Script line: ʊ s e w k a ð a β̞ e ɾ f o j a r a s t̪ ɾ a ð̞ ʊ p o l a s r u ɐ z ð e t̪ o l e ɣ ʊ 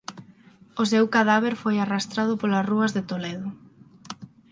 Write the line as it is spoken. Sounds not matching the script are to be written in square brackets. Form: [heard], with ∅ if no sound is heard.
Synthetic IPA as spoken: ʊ s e w k a ð a β̞ e ɾ f o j a r a s t̪ ɾ a ð̞ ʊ p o l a s r u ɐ z ð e t̪ o l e [ð] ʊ